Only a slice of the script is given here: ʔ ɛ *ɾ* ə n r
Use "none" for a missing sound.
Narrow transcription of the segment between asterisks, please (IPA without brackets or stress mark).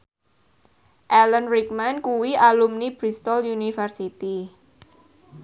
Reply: l